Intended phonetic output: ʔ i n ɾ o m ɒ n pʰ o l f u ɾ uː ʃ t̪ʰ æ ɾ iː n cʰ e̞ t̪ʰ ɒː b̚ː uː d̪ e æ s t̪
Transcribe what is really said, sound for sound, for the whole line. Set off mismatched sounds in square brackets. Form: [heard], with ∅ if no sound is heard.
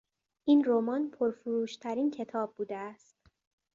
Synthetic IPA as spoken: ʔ i n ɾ o m ɒ n pʰ o [ɾ] f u ɾ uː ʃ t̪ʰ æ ɾ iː n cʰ e̞ t̪ʰ ɒː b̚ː uː d̪ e æ s t̪